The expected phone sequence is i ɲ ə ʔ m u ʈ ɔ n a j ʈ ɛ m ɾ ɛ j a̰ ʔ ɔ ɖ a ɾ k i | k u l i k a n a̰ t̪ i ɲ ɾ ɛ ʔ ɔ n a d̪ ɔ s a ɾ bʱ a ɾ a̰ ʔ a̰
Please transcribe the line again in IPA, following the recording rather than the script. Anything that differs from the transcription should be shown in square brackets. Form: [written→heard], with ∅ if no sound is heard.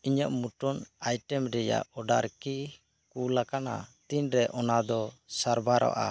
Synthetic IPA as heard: i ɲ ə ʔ m u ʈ ɔ n a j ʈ ɛ m ɾ ɛ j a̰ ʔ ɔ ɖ a ɾ k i | k u l [i→a] k a n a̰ t̪ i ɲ ɾ ɛ ʔ ɔ n a d̪ ɔ s a ɾ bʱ a ɾ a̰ ʔ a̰